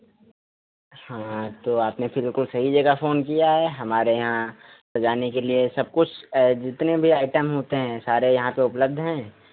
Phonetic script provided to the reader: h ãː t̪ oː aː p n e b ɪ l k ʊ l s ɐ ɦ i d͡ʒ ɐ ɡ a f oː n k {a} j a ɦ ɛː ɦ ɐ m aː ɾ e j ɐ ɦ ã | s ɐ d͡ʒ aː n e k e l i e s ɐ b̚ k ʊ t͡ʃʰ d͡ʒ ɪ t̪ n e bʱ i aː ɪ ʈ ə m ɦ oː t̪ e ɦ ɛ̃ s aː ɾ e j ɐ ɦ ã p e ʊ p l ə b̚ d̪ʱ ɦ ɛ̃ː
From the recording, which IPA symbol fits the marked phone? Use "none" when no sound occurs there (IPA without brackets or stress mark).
i